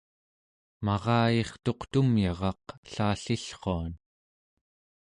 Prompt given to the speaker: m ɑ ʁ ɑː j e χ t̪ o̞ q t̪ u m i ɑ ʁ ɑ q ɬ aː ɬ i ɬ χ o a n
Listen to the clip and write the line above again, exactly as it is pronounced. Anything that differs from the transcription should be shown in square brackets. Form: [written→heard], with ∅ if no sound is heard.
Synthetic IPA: m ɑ ʁ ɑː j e χ t̪ o̞ q t̪ u m [i→j] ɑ ʁ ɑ q ɬ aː ɬ i ɬ χ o a n